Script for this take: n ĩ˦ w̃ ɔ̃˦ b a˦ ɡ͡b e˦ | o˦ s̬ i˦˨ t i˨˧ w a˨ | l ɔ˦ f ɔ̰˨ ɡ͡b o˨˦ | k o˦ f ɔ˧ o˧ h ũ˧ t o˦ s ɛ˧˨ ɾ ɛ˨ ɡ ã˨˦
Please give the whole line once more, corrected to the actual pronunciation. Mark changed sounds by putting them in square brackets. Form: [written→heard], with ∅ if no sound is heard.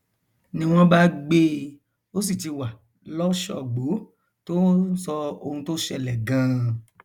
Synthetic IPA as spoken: n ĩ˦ w̃ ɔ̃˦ b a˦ ɡ͡b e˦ | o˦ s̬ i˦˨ t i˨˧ w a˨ | l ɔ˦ [f→ʃ] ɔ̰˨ ɡ͡b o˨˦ | [k→t] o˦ [f→s] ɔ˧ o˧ h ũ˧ t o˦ [s→ʃ] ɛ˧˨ [ɾ→l] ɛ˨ ɡ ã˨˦